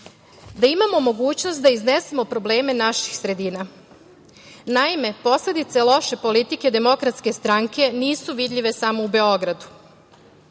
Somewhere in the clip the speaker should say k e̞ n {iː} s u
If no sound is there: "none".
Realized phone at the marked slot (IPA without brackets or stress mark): iː